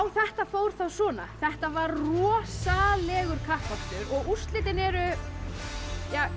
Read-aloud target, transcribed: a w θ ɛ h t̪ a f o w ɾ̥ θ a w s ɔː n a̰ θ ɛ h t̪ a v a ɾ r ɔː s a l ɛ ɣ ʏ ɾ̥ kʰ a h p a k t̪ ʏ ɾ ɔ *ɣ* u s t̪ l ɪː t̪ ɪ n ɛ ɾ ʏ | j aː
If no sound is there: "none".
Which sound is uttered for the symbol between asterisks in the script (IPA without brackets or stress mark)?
ɣ